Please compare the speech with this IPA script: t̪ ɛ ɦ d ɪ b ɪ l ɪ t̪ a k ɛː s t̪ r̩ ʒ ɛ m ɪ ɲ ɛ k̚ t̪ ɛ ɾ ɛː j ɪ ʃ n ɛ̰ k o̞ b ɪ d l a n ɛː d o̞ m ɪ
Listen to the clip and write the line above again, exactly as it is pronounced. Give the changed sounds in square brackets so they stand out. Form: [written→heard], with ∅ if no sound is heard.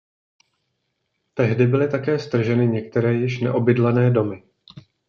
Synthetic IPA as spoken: t̪ ɛ ɦ d ɪ b ɪ l ɪ t̪ a k ɛː s t̪ r̩ ʒ ɛ [m→n] ɪ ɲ ɛ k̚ t̪ ɛ ɾ ɛː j ɪ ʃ n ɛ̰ [k→ʔ] o̞ b ɪ d l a n ɛː d o̞ m ɪ